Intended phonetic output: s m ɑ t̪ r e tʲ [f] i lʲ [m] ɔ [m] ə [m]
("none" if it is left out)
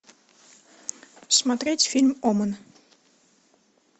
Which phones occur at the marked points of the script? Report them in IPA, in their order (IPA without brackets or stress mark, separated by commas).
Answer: f, m, m, n